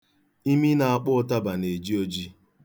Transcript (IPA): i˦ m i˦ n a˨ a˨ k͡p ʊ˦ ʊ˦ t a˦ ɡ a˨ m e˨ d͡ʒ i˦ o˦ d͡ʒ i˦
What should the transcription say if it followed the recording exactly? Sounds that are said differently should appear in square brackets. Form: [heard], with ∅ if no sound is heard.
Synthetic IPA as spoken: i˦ m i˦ n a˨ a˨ k͡p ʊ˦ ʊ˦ t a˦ [b] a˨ [n] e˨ d͡ʒ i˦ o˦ d͡ʒ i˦